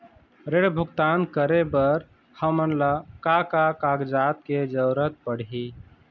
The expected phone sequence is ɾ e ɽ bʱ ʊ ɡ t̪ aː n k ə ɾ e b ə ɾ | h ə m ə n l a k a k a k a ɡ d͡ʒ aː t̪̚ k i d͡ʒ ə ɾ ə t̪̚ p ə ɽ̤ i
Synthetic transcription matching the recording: ɾ e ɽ bʱ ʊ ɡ t̪ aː n k ə ɾ e b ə ɾ | h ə m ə n l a k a k a k a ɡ d͡ʒ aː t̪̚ k e d͡ʒ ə ɾ ə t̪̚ p ə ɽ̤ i